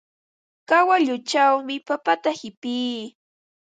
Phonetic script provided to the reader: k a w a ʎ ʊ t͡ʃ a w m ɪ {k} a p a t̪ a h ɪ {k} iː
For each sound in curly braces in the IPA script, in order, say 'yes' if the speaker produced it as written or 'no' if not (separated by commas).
no, no